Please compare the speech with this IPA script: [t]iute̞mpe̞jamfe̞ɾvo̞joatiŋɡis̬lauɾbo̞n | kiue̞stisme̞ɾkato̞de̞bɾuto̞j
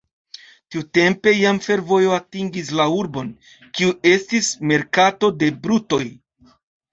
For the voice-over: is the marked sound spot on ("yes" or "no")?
yes